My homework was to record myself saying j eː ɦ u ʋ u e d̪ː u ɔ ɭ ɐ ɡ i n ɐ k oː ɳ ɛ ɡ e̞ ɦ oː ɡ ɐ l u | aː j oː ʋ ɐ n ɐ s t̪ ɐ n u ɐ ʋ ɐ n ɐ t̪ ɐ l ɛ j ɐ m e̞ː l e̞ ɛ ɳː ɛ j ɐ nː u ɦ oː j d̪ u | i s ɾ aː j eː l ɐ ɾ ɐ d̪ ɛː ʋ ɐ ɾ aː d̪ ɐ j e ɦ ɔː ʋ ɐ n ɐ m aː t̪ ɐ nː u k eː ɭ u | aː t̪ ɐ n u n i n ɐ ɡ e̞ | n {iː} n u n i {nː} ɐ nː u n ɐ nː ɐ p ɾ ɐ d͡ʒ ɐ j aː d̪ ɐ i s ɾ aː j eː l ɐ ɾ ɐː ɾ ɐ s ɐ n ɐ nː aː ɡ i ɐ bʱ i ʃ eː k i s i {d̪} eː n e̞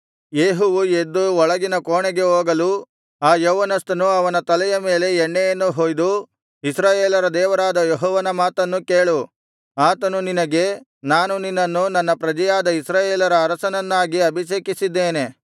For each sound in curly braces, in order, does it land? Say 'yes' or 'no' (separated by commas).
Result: no, yes, no